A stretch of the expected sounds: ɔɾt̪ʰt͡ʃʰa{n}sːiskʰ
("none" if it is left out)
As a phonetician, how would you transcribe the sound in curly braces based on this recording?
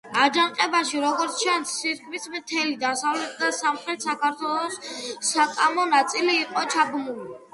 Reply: n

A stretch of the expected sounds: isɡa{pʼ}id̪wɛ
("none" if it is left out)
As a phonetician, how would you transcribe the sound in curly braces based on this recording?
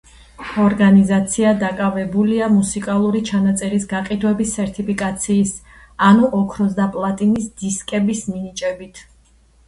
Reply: qʼ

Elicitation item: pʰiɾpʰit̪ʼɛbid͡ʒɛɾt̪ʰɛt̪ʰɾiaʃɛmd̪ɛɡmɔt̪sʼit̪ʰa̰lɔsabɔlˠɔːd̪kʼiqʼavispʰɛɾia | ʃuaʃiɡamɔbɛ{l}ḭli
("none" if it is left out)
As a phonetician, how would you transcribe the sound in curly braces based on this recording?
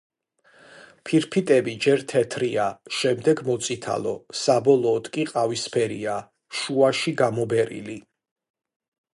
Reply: ɾ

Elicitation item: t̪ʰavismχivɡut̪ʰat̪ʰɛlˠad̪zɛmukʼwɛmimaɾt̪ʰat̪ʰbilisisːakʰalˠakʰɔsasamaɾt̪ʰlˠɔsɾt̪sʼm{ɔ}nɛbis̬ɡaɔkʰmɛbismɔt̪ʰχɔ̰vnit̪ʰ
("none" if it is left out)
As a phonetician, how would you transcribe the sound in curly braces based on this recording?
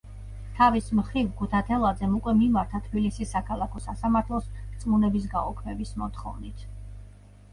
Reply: u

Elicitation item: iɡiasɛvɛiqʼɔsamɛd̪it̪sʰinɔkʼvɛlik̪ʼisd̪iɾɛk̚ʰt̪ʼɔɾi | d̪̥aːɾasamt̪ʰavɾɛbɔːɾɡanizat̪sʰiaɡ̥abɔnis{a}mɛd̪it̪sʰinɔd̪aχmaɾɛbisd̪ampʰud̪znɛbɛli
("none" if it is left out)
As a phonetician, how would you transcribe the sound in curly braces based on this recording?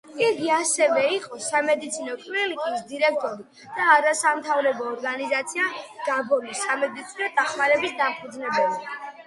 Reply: a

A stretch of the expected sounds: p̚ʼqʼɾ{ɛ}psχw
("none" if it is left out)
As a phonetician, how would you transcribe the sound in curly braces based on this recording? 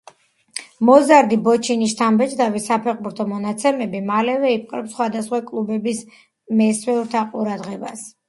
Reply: ɛ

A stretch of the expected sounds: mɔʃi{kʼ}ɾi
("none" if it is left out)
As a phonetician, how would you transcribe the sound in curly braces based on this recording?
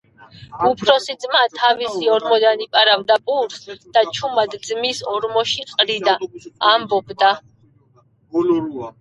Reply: qʼ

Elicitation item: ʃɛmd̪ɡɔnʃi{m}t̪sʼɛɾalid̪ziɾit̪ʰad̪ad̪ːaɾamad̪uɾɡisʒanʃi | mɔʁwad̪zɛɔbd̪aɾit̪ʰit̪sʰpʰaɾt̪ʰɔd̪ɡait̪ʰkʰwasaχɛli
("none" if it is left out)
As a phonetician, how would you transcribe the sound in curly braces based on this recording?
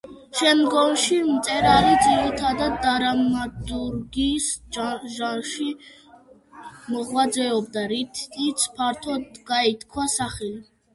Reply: m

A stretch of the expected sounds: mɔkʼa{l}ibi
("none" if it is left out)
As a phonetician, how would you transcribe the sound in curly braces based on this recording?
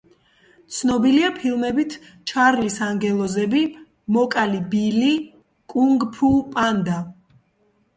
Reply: l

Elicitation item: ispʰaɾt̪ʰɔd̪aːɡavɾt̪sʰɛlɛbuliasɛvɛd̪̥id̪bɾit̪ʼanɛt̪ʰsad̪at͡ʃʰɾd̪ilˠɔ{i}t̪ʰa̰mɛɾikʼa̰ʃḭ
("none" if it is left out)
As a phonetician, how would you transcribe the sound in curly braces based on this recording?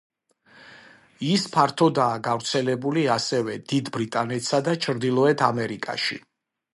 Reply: ɛ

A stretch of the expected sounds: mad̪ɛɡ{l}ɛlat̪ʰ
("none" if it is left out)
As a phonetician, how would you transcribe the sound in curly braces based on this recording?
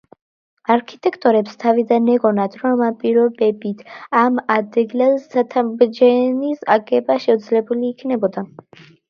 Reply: l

